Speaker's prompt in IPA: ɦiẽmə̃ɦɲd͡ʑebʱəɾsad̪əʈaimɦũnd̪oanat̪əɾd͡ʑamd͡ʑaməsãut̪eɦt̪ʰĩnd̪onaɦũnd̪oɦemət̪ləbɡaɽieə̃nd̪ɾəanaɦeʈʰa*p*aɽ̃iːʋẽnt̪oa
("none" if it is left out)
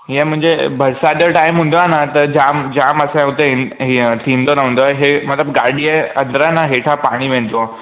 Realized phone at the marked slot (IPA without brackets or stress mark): p